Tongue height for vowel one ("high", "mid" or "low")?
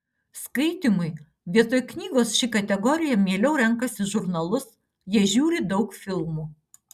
low